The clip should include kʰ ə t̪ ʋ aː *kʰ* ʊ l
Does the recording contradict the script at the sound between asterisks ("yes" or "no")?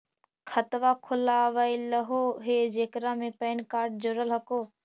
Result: no